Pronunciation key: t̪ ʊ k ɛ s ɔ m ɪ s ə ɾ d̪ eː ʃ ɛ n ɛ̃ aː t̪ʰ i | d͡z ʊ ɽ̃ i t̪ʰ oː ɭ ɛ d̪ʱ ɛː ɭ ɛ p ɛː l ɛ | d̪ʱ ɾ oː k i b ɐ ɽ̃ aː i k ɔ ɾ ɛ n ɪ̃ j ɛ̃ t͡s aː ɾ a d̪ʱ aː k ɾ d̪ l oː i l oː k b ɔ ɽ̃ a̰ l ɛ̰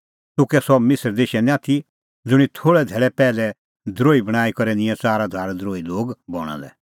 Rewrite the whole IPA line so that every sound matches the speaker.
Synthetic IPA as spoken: t̪ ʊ k ɛ s ɔ m ɪ s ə ɾ d̪ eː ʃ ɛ n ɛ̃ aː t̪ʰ i | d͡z ʊ ɽ̃ i t̪ʰ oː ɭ ɛ d̪ʱ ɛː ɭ ɛ p ɛː l ɛ | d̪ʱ ɾ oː i b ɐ ɽ̃ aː i k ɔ ɾ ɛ n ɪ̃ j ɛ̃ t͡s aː ɾ a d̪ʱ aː ɾ d̪ ɾ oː i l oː ɡ b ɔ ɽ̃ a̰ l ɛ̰